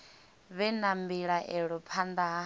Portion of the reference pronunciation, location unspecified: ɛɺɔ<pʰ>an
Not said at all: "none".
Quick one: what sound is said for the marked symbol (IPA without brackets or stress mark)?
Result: pʰ